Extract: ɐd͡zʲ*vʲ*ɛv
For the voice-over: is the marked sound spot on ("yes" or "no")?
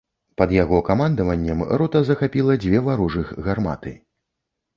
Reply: yes